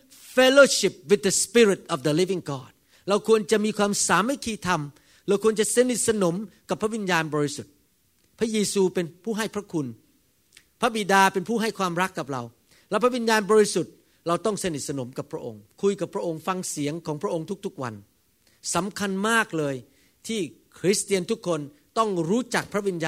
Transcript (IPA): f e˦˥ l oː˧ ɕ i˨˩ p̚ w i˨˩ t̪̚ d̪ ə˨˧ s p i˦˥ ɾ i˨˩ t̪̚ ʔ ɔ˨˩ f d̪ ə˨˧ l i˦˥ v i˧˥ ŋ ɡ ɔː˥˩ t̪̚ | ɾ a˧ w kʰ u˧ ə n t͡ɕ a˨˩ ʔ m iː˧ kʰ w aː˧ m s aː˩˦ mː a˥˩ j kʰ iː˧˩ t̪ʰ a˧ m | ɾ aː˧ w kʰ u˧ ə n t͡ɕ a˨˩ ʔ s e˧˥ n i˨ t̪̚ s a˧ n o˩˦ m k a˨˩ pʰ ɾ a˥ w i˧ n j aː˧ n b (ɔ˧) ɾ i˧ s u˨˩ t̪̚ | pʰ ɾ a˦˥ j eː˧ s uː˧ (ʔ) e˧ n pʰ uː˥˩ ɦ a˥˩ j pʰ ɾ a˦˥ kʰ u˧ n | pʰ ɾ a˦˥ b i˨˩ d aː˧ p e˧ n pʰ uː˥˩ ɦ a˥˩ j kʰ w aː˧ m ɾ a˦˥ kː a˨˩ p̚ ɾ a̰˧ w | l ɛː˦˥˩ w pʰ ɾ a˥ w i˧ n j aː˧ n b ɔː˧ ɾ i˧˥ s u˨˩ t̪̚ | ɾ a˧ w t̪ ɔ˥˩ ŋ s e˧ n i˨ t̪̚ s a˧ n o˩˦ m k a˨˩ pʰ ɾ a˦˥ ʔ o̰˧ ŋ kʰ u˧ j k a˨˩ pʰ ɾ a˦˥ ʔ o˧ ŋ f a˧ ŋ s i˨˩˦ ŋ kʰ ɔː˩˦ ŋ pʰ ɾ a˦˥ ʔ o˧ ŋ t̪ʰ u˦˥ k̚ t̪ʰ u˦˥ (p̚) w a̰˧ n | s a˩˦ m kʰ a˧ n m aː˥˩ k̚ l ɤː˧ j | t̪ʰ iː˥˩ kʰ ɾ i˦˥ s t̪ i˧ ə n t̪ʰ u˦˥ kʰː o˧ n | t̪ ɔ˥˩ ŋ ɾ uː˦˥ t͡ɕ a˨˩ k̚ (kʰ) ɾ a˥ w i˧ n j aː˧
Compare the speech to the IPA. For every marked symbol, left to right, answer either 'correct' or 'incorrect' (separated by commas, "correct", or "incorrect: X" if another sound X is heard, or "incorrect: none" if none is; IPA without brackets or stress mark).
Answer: incorrect: ɔː˧, incorrect: p, incorrect: k̚, incorrect: pʰ